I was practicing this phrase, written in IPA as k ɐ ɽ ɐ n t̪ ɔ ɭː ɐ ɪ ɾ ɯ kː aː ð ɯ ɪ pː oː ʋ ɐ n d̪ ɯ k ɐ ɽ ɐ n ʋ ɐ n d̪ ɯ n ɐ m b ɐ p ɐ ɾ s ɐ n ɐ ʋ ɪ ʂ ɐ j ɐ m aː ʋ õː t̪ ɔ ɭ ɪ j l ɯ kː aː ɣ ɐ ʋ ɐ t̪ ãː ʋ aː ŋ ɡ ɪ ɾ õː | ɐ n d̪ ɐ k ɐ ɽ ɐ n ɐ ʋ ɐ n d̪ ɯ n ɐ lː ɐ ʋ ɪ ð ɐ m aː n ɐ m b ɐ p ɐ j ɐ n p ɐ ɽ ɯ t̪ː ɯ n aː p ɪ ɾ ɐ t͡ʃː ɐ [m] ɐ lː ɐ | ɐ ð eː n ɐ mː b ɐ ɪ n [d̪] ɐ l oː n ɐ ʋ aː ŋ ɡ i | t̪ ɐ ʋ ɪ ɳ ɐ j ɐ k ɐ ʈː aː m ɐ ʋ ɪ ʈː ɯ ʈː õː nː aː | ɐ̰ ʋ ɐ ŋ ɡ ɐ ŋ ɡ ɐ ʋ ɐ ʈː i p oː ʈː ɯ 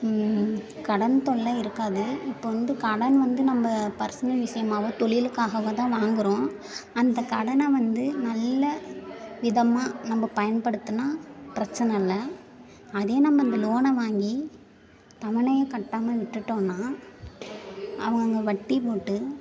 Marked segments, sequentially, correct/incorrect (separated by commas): incorrect, correct